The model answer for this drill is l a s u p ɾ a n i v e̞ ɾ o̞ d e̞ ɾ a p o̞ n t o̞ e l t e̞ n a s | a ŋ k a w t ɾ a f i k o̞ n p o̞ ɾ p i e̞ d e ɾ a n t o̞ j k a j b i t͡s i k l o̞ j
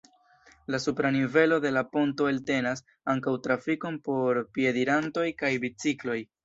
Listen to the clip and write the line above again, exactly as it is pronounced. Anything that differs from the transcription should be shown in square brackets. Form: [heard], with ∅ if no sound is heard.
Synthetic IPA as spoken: l a s u p ɾ a n i v e̞ [l] o̞ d e̞ [l] a p o̞ n t o̞ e l t e̞ n a s | a ŋ k a w t ɾ a f i k o̞ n p o̞ ɾ p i e̞ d [i] ɾ a n t o̞ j k a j b i t͡s i k l o̞ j